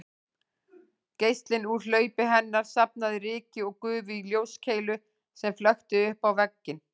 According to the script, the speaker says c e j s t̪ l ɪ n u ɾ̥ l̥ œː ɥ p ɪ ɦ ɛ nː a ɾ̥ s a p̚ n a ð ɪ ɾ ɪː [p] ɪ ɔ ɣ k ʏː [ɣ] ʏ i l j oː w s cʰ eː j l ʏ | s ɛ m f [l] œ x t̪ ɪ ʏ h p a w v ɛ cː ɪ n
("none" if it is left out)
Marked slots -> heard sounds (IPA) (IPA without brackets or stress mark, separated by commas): c, v, l